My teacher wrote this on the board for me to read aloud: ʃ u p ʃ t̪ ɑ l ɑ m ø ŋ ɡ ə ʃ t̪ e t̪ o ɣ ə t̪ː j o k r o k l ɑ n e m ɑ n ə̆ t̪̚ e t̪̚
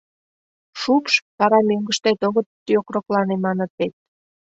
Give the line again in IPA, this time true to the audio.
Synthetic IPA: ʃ u p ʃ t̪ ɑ ɾ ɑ m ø ŋ ɡ ə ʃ t̪ e t̪ o ɣ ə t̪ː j o k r o k l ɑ n e m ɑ n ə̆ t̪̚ e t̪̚